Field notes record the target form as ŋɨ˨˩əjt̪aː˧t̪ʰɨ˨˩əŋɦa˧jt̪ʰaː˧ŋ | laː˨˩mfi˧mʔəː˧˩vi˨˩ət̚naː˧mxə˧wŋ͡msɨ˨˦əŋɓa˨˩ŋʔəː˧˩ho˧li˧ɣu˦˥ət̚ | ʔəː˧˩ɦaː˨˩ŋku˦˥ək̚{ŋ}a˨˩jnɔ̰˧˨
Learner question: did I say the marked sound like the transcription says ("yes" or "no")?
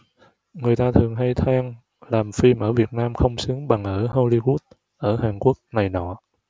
no